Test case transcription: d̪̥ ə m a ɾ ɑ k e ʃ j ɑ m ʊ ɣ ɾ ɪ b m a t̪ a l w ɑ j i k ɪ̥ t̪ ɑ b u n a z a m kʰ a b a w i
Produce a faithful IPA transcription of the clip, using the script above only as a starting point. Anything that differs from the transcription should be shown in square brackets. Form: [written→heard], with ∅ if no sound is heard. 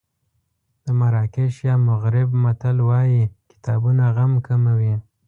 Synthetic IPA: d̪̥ ə m a ɾ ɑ k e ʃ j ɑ m ʊ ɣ ɾ ɪ b m a t̪ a l w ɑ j i k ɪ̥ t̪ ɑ b u n a [z→ɣ] a m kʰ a [b→m] a w i